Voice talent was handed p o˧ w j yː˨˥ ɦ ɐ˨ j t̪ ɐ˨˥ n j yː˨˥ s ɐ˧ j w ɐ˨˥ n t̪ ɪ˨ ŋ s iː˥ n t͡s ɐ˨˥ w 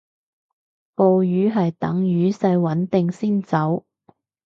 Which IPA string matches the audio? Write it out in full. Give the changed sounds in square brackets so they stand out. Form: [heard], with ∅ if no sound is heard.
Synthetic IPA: p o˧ w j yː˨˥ ɦ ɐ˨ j t̪ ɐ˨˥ [ŋ] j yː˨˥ s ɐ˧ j w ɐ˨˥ n t̪ ɪ˨ ŋ s iː˥ n t͡s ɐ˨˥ w